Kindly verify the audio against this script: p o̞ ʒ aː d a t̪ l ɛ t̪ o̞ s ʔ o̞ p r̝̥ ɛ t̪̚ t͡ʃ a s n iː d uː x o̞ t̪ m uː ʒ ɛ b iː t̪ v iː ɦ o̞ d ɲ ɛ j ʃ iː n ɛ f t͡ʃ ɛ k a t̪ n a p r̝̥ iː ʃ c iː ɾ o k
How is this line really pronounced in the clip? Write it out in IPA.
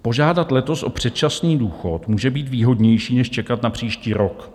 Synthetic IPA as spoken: p o̞ ʒ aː d a t̪ l ɛ t̪ o̞ s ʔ o̞ p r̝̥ ɛ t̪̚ t͡ʃ a s n iː d uː x o̞ t̪ m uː ʒ ɛ b iː t̪ v iː ɦ o̞ d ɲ ɛ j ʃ iː n ɛ ʃ t͡ʃ ɛ k a t̪ n a p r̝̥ iː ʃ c iː ɾ o k